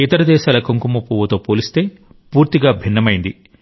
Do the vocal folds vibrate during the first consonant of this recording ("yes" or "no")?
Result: no